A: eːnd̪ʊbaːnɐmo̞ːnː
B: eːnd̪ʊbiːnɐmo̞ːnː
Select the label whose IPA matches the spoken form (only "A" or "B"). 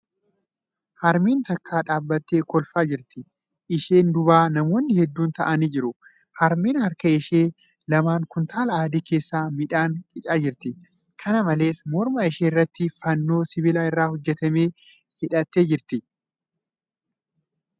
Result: A